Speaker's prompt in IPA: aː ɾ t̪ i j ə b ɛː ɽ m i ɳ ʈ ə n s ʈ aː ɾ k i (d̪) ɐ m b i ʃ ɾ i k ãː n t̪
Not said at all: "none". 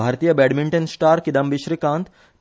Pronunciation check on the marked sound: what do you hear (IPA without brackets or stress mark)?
d̪